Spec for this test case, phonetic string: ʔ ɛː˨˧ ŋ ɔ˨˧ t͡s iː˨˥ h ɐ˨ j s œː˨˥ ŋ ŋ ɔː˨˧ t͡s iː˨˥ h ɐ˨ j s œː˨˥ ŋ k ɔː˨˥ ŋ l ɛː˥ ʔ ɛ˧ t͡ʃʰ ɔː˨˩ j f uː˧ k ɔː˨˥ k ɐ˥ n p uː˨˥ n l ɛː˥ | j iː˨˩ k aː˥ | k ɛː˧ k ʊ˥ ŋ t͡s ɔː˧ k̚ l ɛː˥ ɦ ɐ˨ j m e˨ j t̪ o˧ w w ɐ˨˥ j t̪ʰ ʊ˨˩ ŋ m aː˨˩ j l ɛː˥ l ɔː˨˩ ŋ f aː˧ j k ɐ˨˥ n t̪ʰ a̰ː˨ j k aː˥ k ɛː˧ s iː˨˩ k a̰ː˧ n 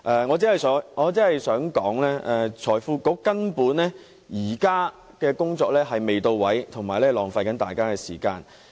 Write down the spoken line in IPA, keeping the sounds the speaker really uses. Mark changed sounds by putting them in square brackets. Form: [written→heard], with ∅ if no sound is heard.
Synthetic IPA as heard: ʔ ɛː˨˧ ŋ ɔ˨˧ t͡s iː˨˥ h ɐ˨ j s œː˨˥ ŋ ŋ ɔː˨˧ t͡s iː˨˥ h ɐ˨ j s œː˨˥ ŋ k ɔː˨˥ ŋ l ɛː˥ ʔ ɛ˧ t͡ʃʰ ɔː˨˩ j f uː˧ k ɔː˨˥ k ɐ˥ n p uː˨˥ n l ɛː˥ | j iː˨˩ k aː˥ | k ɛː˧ k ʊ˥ ŋ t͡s ɔː˧ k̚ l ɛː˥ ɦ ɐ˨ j m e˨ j t̪ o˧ w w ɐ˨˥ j t̪ʰ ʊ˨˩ ŋ m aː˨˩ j l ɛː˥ l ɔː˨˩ ŋ f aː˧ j k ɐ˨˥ n [t̪ʰ→t̪] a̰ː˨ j k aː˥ k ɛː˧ s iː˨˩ k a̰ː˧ n